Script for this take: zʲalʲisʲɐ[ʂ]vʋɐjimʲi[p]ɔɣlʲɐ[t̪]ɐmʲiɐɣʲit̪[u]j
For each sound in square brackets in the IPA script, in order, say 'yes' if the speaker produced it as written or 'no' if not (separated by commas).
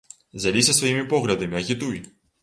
no, yes, no, yes